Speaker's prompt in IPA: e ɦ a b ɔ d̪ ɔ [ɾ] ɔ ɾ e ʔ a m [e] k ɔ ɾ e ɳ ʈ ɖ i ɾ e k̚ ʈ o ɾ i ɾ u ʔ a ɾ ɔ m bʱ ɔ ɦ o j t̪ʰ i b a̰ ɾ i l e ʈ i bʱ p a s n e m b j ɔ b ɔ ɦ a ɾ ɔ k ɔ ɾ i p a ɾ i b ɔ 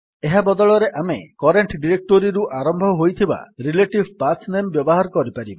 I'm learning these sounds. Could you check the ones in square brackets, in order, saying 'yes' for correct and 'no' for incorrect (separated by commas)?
no, yes